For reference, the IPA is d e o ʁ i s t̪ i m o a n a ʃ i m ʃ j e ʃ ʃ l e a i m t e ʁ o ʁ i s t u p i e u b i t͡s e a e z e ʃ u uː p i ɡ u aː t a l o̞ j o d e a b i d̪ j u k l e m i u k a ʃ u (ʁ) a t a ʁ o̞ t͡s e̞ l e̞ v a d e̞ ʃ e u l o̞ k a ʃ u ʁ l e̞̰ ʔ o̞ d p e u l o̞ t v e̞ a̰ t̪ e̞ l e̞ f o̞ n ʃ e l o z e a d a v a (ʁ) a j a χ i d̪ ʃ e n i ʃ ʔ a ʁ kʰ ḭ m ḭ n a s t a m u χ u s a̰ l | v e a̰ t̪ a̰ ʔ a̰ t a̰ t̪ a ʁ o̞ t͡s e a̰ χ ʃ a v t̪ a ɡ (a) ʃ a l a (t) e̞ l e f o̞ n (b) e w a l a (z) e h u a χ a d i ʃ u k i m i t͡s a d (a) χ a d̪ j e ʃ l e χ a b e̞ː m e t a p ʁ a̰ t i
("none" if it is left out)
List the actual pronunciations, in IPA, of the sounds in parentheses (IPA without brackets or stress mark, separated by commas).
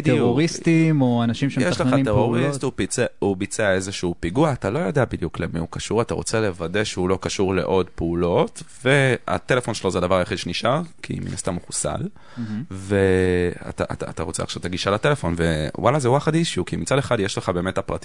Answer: ʁ, ʁ, i, t, v, z, e